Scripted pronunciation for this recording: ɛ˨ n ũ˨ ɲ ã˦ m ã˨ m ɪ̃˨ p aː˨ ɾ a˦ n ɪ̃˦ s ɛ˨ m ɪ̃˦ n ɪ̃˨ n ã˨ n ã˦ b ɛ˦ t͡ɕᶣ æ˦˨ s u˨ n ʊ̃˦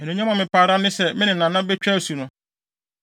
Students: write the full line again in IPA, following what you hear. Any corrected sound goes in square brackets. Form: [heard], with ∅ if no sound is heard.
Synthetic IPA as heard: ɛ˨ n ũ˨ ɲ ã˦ m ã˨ m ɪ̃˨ p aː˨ ɾ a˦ n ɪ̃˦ s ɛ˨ m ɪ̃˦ n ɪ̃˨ n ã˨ n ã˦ b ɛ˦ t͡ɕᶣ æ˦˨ s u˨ n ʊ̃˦